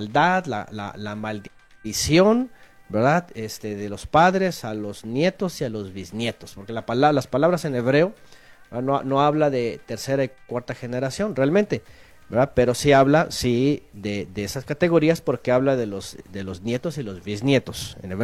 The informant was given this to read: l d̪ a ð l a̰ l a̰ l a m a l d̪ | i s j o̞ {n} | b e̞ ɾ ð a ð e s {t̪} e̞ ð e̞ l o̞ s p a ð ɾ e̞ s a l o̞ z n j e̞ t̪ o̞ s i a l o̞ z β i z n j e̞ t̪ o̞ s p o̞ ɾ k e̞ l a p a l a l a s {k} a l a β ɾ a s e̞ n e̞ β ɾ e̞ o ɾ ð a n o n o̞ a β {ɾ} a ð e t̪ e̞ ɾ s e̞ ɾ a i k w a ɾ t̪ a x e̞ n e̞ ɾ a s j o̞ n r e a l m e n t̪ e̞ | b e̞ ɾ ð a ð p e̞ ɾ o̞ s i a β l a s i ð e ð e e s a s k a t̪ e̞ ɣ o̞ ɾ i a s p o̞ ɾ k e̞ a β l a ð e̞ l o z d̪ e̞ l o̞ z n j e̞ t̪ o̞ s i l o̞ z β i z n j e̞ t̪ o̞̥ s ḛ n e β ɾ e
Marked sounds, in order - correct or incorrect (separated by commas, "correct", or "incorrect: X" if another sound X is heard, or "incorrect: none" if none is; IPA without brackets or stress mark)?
correct, correct, incorrect: p, incorrect: l